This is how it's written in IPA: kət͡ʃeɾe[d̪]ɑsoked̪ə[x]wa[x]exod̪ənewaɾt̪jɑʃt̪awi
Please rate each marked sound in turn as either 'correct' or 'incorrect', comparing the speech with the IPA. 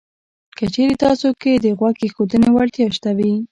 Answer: incorrect, incorrect, incorrect

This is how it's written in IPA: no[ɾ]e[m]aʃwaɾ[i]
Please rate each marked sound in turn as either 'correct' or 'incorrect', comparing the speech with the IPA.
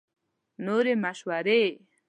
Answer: correct, correct, incorrect

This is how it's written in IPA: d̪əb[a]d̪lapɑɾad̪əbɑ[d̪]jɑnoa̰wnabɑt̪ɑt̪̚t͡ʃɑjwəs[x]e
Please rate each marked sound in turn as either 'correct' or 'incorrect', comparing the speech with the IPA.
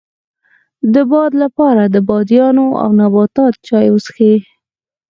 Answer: incorrect, correct, correct

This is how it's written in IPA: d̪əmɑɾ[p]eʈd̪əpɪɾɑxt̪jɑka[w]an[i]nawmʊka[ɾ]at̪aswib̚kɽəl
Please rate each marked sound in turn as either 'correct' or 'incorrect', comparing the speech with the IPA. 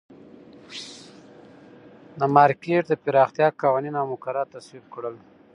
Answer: incorrect, correct, correct, correct

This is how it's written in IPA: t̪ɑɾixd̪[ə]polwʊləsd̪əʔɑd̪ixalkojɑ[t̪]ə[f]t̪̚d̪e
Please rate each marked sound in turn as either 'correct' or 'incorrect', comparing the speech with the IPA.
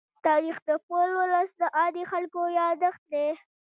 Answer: correct, incorrect, incorrect

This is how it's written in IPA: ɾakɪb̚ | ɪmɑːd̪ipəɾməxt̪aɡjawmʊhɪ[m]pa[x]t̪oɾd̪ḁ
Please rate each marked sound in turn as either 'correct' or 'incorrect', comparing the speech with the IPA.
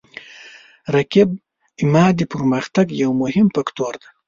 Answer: correct, incorrect

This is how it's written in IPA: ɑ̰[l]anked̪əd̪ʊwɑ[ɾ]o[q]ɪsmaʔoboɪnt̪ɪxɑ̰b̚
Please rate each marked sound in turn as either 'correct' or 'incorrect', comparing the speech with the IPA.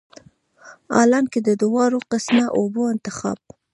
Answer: correct, correct, correct

